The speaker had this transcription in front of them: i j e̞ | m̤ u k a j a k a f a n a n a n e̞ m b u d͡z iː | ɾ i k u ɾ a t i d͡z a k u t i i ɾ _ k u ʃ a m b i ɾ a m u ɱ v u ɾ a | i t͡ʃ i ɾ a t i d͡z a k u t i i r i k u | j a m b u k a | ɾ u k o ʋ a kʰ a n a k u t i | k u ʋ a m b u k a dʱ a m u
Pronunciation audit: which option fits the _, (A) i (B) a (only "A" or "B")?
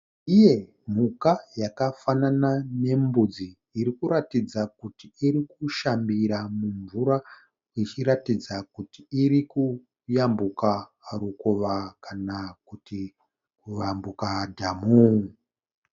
A